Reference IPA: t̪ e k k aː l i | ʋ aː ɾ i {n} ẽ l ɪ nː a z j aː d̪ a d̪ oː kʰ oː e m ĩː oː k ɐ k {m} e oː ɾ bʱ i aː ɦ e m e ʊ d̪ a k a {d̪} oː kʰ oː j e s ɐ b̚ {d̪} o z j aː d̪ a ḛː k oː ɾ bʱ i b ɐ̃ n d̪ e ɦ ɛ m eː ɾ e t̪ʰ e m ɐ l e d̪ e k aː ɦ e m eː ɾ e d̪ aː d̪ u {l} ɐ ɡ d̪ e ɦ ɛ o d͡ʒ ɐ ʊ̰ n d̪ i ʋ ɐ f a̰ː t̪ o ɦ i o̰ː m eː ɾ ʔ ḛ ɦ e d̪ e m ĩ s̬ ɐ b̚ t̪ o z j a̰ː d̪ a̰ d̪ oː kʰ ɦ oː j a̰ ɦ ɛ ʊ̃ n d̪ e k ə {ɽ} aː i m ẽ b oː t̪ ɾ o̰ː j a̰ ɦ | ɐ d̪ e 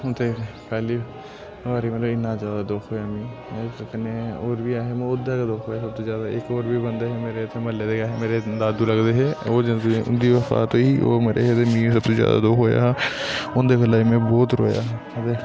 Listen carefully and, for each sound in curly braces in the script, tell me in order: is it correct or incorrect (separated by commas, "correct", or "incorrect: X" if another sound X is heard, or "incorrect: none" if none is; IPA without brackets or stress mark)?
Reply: incorrect: m, incorrect: n, correct, incorrect: t̪, correct, incorrect: l